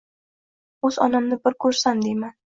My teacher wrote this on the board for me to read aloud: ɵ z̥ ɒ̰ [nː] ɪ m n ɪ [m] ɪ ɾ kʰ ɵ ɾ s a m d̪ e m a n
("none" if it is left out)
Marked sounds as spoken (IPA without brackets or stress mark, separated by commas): n, b